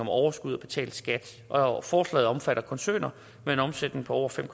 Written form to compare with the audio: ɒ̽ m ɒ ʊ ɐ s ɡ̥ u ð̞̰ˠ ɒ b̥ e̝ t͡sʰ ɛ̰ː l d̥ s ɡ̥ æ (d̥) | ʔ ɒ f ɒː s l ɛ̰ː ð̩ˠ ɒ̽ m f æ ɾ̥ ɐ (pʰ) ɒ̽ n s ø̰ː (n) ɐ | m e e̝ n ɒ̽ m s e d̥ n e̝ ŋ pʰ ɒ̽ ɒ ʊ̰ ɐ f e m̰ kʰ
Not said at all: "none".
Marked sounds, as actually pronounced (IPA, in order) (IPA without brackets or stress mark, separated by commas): d̥, kʰ, n